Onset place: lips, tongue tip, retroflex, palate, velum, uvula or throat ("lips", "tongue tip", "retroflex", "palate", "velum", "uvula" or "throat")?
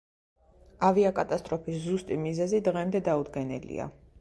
lips